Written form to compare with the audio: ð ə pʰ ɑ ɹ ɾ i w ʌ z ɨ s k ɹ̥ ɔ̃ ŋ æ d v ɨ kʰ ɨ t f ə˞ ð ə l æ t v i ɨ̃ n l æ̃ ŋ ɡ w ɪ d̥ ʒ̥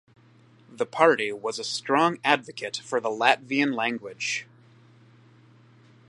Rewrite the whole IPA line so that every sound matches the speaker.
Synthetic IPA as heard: ð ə pʰ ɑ ɹ ɾ i w ʌ z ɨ s t ɹ̥ ɔ̃ ŋ æ d v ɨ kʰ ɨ t f ə˞ ð ə l æ t v i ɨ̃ n l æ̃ ŋ ɡ w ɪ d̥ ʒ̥